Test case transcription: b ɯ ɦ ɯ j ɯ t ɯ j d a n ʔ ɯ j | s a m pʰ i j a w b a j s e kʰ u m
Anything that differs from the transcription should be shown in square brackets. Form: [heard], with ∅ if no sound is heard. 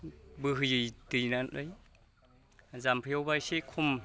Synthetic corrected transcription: b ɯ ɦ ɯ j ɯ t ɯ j [n] a n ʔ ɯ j | [z] a m pʰ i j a w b a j s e kʰ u m

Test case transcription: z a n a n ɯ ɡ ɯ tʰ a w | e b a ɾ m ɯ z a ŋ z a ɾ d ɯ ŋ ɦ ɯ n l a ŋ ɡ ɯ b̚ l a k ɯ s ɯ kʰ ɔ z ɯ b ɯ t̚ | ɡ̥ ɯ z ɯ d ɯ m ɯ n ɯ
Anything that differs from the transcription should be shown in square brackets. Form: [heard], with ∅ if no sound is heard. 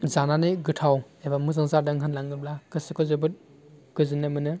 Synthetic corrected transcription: z a n a n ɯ ɡ ɯ tʰ a w | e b a [∅] m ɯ z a ŋ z a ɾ d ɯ ŋ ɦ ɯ n l a ŋ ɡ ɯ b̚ l a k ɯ s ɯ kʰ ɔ z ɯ b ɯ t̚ | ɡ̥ ɯ z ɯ [n] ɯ m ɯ n ɯ

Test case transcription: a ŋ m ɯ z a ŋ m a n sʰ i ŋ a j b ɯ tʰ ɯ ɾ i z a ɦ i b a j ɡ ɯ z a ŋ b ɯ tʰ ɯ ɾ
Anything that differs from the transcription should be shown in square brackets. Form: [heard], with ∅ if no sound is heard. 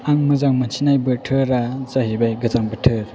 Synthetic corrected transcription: a ŋ m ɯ z a ŋ m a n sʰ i [n] a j b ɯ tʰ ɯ ɾ [a] z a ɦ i b a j ɡ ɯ z a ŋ b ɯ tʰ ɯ ɾ

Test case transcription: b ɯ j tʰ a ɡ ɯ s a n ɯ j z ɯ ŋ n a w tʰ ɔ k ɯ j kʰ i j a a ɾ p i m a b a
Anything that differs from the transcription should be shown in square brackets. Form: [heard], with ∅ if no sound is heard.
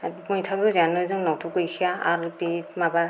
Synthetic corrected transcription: [m] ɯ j tʰ a ɡ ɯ [z] a n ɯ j z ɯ ŋ n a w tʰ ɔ k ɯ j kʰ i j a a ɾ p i m a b a

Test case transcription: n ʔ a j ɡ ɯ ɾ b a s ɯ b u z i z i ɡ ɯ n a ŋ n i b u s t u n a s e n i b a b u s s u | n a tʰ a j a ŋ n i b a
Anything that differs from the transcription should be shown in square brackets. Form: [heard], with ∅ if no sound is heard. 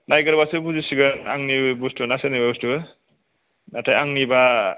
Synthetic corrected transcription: n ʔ a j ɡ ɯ ɾ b a s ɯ b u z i [s] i ɡ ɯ n a ŋ n i b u s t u n a s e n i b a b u s [t] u | n a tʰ a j a ŋ n i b a

